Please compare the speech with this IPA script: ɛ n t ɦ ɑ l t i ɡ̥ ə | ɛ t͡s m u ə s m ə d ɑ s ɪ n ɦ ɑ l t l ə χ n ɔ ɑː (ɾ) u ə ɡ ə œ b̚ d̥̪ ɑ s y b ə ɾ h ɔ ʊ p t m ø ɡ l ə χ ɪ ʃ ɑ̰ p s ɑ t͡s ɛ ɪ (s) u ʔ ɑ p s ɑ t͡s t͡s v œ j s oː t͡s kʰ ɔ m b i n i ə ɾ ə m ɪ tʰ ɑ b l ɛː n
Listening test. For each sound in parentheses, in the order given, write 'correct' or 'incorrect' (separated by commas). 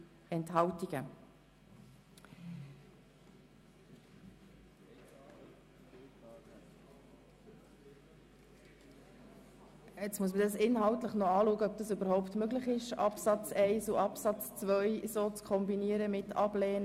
incorrect, correct